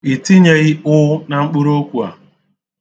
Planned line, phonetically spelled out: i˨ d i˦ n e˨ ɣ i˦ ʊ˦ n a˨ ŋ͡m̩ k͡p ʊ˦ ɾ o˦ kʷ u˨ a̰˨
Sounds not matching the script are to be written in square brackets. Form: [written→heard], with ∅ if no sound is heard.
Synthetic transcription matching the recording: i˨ [d→t] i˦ [n→ɲ] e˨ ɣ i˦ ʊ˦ n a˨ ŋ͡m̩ k͡p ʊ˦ ɾ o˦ kʷ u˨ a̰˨

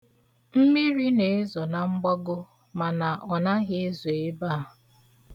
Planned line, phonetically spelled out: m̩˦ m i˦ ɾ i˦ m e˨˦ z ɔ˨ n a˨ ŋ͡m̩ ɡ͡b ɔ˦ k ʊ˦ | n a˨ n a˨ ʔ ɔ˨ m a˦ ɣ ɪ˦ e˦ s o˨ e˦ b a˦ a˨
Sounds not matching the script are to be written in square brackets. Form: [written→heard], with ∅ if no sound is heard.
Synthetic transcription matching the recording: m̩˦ m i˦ ɾ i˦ [m→n] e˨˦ z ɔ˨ n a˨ ŋ͡m̩ ɡ͡b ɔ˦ [k→ɡ] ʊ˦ | [n→m] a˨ n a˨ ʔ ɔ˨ [m→n] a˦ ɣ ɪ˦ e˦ [s→z] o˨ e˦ b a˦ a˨

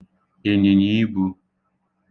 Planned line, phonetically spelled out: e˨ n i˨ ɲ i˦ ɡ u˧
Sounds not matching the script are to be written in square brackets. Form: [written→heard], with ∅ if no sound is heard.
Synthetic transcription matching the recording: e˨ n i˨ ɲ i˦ [ɡ→b] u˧

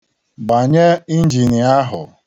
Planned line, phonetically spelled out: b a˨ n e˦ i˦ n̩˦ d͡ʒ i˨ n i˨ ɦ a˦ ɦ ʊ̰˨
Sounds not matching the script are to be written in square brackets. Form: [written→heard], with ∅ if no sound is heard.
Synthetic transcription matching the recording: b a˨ [n→ɲ] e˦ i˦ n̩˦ d͡ʒ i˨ n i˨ [ɦ→∅] a˦ ɦ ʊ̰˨

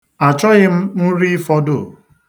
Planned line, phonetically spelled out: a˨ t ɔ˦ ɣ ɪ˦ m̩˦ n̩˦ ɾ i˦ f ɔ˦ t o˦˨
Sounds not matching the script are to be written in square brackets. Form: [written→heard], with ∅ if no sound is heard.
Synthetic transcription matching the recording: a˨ [t→t͡ʃ] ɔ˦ ɣ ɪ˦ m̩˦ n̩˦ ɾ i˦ f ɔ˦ [t→d] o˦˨

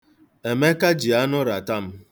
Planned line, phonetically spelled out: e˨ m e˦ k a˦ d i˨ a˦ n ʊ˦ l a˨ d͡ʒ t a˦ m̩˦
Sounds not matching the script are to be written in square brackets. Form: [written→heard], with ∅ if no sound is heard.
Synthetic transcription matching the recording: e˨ m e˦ k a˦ [d→d͡ʒ] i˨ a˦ n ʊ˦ [l→ɾ] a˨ [d͡ʒ→∅] t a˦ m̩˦

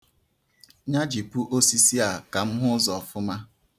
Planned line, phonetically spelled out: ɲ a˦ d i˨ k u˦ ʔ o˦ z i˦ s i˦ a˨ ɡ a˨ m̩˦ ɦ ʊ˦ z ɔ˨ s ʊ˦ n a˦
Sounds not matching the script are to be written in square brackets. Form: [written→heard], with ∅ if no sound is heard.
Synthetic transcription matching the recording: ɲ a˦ [d→d͡ʒ] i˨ [k→p] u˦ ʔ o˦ [z→s] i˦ s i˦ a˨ [ɡ→k] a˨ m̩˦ ɦ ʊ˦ z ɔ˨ [s→f] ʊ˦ [n→m] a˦

